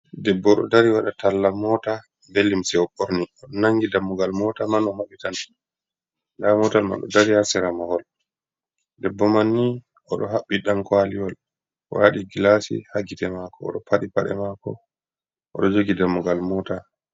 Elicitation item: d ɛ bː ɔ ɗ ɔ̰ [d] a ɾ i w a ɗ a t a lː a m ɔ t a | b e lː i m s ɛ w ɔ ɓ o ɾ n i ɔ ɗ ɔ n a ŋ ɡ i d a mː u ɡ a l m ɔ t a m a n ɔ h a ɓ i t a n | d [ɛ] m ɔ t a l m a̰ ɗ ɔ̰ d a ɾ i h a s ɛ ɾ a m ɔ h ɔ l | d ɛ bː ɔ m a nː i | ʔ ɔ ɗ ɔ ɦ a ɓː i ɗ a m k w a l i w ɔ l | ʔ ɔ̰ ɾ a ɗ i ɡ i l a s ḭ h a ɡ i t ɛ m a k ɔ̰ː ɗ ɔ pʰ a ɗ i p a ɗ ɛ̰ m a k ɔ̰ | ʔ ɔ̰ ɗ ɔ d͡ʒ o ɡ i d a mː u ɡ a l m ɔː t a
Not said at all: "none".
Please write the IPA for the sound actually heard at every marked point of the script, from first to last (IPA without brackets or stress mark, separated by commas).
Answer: d, a